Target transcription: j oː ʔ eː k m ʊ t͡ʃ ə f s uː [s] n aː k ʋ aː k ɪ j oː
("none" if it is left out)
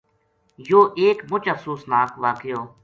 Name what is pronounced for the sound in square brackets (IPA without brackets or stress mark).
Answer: s